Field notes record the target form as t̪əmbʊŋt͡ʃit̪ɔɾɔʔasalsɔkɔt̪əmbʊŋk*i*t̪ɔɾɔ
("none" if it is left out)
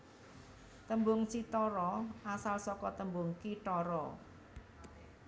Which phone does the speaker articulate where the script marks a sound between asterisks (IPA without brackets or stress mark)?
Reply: i